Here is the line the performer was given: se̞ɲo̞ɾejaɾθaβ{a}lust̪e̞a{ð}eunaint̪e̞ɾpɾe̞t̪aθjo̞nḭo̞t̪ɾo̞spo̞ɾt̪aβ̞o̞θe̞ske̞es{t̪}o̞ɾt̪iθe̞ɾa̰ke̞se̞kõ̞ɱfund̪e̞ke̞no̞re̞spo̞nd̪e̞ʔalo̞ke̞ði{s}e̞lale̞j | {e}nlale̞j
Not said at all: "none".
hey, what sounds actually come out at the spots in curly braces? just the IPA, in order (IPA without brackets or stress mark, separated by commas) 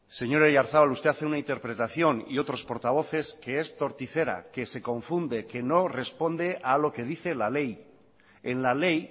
a, θ, t̪, θ, e